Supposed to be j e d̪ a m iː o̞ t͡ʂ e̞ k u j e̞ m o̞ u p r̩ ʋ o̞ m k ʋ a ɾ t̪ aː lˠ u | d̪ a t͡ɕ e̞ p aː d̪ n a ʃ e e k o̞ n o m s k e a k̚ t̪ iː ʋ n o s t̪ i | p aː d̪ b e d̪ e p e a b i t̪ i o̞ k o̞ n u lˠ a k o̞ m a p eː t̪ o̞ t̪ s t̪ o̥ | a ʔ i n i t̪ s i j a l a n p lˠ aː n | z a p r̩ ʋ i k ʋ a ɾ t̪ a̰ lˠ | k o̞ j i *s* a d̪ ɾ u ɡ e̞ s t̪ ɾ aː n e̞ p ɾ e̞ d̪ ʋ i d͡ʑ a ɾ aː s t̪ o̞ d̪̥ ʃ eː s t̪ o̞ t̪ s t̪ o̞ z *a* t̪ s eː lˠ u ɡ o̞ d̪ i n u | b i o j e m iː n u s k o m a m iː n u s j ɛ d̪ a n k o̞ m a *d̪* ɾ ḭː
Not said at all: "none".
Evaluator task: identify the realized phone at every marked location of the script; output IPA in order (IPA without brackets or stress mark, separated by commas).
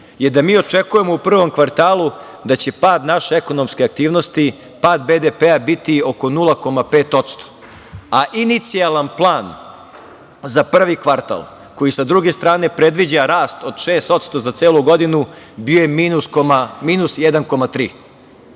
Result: s, a, t̪